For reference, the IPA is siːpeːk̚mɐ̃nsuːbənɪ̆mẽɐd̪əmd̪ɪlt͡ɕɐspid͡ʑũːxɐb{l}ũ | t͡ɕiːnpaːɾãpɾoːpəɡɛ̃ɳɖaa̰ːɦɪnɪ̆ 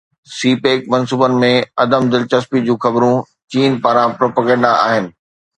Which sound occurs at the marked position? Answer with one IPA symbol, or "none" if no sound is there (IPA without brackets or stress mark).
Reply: ɾ